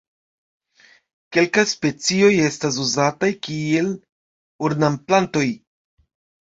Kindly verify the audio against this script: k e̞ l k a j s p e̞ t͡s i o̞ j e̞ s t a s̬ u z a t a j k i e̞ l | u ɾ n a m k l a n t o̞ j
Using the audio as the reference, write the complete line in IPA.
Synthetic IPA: k e̞ l k a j s p e̞ t͡s i o̞ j e̞ s t a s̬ u z a t a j k i e̞ l | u ɾ n a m p l a n t o̞ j